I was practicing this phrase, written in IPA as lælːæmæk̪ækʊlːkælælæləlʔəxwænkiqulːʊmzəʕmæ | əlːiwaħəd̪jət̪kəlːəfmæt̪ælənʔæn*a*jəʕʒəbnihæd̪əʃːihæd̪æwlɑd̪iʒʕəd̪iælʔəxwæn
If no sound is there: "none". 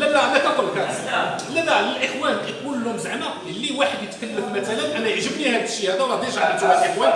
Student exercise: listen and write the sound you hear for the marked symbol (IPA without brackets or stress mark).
æ